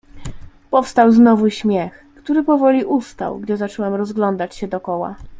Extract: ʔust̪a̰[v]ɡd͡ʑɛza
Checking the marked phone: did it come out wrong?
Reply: yes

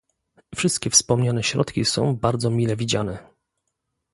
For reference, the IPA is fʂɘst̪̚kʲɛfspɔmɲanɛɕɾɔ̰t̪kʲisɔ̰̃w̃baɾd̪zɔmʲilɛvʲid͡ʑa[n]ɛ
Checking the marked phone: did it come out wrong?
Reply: no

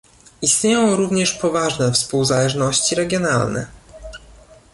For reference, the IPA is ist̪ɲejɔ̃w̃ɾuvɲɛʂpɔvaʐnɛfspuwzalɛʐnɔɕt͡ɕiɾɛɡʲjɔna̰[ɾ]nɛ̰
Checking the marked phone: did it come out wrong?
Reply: yes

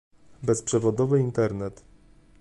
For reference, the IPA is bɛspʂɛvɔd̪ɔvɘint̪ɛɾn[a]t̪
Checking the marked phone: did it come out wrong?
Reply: yes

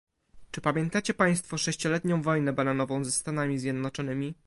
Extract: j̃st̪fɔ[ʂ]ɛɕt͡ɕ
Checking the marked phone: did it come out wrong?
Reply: no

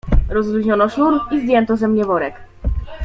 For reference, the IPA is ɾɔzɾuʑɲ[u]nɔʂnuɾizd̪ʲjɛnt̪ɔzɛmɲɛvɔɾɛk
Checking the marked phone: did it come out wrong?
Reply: yes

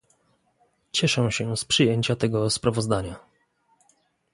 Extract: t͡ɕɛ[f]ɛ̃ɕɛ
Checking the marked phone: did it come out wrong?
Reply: yes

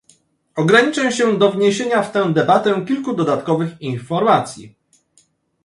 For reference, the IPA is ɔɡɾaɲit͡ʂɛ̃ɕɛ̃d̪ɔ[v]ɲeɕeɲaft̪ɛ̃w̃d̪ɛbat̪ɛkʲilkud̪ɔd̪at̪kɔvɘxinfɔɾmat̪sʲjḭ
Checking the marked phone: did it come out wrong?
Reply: no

